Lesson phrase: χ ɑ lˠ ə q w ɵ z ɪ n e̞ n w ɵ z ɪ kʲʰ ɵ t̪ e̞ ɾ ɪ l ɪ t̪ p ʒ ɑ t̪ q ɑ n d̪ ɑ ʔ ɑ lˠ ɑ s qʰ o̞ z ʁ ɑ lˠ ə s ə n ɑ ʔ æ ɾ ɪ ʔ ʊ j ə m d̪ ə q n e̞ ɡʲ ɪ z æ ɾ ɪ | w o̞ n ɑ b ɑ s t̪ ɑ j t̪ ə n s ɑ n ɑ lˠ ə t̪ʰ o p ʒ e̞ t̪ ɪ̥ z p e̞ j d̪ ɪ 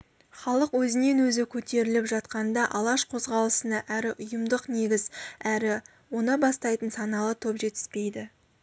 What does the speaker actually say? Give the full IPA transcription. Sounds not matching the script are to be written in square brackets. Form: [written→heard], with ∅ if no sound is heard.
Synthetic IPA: χ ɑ lˠ ə q w ɵ z ɪ n e̞ n w ɵ z ɪ kʲʰ ɵ t̪ e̞ ɾ ɪ l ɪ [t̪→∅] p ʒ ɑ t̪ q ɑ n d̪ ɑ ʔ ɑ lˠ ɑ [s→ʃ] qʰ o̞ z ʁ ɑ lˠ ə s ə n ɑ ʔ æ ɾ ɪ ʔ ʊ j ə m d̪ ə q n e̞ ɡʲ ɪ z æ ɾ ɪ | w o̞ n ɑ b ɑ s t̪ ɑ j t̪ ə n s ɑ n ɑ lˠ ə t̪ʰ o p ʒ e̞ t̪ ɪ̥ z p e̞ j d̪ ɪ